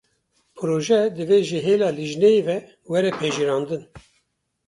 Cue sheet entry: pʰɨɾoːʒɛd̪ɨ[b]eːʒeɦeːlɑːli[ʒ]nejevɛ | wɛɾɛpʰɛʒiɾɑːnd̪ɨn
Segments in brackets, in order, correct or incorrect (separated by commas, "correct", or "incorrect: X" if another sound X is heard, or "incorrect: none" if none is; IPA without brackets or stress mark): incorrect: v, correct